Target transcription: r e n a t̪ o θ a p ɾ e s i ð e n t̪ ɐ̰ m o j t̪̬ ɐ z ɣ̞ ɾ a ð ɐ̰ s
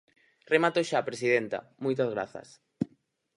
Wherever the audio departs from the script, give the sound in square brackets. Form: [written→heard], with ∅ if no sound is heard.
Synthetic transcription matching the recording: r e [n→m] a t̪ o [θ→ʃ] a p ɾ e s i ð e n t̪ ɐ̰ m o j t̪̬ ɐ z ɣ̞ ɾ a [ð→θ] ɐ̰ s